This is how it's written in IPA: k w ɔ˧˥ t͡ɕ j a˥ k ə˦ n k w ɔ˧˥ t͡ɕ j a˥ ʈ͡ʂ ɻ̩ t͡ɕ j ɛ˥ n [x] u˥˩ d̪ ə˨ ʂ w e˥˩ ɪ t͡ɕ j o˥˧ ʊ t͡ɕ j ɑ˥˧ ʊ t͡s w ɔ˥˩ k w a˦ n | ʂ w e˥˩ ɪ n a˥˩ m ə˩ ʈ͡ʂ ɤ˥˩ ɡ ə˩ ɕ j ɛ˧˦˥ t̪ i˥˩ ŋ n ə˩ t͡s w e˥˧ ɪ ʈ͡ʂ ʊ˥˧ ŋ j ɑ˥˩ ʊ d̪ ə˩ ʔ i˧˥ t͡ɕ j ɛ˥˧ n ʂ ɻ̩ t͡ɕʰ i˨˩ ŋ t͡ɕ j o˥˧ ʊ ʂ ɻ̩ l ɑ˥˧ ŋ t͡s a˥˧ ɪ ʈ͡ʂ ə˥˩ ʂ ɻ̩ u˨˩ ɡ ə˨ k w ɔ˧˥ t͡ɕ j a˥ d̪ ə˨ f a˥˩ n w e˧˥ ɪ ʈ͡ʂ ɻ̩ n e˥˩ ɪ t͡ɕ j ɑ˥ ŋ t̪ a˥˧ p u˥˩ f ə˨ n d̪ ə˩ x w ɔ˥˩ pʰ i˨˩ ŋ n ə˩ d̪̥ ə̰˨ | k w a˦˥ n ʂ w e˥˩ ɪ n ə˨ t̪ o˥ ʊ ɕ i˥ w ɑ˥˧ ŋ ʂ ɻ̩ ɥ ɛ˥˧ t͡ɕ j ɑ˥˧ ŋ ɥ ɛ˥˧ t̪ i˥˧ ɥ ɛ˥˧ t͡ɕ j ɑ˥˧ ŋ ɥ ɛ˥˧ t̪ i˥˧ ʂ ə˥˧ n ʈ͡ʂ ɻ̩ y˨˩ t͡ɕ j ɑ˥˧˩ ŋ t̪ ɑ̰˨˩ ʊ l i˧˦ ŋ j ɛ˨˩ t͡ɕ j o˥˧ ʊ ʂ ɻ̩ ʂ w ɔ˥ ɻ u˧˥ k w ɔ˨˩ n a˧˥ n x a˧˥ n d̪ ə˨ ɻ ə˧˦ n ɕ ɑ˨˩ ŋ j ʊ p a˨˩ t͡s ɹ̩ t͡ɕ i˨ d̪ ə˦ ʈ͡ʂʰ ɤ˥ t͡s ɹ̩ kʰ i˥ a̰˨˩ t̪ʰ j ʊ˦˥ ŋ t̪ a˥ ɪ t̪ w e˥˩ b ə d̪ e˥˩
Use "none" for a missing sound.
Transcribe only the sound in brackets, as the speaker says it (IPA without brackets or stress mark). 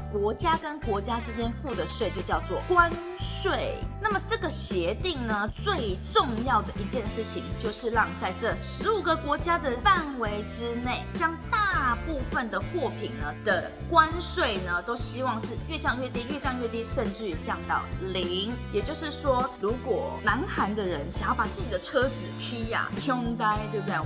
f